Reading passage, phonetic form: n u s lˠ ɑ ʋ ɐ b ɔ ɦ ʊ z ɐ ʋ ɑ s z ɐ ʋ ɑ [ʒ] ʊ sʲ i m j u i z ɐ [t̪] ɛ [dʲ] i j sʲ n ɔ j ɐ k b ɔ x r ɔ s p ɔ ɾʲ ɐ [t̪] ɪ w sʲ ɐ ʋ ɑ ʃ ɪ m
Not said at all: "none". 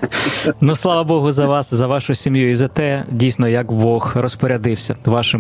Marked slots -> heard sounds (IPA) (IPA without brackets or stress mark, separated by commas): ʃ, t̪, dʲ, d̪